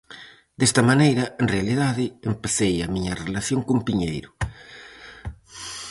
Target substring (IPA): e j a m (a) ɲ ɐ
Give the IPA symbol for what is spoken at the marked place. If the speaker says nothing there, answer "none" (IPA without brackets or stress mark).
i